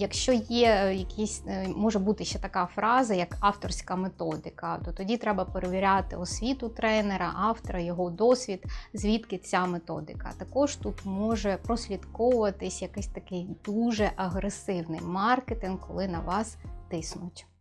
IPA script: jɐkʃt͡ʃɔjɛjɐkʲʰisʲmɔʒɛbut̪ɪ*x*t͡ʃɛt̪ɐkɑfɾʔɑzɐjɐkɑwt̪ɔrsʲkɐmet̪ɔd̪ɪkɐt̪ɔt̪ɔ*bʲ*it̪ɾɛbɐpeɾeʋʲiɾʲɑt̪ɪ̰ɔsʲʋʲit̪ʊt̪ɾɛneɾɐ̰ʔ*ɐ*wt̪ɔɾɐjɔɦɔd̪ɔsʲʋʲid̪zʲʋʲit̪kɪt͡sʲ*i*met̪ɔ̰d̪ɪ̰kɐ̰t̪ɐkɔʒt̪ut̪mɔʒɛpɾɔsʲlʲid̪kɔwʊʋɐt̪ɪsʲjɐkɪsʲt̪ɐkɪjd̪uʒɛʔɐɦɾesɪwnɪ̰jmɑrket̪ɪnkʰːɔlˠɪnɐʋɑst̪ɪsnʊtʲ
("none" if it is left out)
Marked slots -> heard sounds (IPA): ʃ, dʲ, ɑ, a

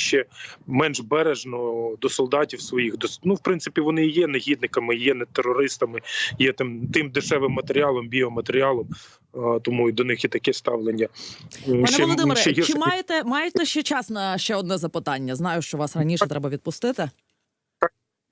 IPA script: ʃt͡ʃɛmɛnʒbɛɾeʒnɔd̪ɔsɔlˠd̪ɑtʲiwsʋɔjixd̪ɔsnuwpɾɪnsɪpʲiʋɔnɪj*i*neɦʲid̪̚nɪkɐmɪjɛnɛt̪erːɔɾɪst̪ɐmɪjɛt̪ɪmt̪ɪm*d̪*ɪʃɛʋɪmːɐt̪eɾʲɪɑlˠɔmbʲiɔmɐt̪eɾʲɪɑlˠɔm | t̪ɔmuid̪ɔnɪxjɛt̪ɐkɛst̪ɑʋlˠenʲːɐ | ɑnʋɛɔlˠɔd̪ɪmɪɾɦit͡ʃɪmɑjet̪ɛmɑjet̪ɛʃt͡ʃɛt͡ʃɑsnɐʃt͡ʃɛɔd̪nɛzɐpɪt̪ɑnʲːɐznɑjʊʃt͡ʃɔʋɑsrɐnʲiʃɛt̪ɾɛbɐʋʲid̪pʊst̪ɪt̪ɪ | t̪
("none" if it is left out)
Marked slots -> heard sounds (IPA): ɛ, d̪

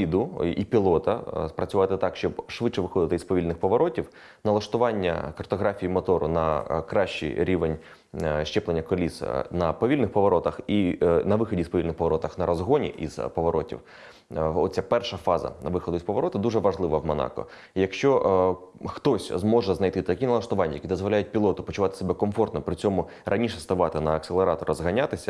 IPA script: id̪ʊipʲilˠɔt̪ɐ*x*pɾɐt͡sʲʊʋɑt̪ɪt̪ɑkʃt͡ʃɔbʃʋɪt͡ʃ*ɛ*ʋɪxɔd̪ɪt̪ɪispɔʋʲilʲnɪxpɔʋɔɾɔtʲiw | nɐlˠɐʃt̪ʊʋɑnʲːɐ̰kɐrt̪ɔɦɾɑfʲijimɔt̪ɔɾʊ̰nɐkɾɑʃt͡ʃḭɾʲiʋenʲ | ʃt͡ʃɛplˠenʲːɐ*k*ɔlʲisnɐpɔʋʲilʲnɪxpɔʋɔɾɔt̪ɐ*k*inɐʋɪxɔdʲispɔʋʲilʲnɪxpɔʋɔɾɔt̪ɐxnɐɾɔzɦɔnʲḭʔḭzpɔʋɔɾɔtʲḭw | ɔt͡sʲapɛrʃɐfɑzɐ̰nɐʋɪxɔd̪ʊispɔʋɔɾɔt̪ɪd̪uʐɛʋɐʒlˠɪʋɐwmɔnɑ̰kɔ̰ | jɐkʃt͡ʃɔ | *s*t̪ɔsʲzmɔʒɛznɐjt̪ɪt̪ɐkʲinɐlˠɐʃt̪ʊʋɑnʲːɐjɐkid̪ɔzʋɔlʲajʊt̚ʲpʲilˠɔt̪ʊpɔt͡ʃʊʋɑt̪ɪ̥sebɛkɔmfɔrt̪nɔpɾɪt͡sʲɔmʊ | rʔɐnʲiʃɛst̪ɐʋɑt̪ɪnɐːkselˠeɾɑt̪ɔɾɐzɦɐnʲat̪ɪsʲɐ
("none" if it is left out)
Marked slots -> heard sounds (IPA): s, ɛ, k, x, x

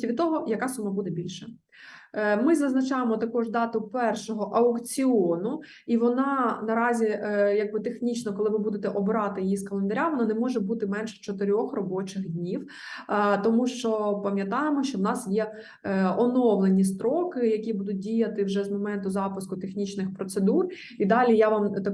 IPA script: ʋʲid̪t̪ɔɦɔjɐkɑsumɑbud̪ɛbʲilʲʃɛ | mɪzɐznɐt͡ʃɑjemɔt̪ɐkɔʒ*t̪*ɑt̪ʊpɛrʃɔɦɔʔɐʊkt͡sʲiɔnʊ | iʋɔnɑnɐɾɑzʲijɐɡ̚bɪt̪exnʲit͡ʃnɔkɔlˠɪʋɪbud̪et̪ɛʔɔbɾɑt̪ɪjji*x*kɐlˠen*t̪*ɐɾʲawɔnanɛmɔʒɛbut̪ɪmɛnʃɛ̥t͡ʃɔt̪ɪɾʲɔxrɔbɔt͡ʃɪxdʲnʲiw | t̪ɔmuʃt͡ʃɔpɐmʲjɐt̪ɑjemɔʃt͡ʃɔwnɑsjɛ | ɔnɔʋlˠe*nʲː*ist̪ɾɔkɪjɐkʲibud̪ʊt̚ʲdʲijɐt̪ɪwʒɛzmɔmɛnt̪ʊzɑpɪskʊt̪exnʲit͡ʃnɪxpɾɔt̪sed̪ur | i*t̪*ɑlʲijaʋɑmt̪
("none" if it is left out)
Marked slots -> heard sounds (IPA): d̪, s, d̪, nʲ, d̪

